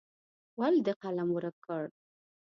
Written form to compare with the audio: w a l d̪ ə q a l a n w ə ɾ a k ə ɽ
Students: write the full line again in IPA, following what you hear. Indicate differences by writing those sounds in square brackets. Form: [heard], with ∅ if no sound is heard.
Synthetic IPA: w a l d̪ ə q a l a [m] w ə ɾ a k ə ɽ